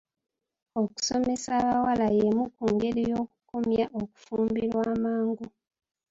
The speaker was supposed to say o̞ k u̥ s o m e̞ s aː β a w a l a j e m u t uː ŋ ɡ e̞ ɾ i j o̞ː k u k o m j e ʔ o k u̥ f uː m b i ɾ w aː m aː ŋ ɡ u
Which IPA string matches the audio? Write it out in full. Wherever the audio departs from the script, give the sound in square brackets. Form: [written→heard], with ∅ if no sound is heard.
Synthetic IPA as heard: o̞ k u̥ s o m e̞ s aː β a w a l a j e m u [t→k] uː ŋ ɡ e̞ ɾ i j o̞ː k u k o m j [e→a] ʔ o k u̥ f uː m b i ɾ w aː m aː ŋ ɡ u